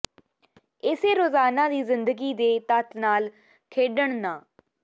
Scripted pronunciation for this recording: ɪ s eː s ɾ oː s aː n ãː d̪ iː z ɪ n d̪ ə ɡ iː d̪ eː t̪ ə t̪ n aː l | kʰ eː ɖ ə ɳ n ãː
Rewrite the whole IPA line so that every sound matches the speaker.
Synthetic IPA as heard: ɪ s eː ɾ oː z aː n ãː d̪ iː z ɪ n d̪ ə ɡ iː d̪ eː t̪ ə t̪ n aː l | kʰ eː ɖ ə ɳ n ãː